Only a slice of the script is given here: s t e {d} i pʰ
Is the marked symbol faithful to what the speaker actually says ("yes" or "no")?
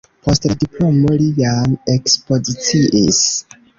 yes